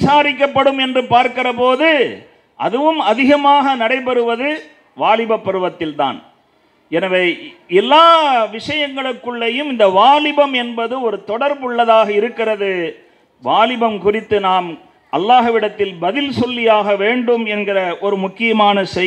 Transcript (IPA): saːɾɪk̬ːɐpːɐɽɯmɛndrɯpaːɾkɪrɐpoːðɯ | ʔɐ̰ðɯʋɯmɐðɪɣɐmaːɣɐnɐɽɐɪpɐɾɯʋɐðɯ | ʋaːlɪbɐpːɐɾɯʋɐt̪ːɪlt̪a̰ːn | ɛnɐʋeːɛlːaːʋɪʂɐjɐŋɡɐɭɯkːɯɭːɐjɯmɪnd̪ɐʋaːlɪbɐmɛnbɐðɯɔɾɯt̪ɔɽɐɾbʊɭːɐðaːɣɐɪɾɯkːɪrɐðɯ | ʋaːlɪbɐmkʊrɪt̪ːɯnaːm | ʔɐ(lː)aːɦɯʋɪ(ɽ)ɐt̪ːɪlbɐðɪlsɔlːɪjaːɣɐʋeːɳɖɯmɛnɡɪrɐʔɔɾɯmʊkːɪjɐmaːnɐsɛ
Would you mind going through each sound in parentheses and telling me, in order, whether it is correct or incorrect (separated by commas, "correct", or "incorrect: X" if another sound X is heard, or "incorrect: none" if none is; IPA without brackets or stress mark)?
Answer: correct, correct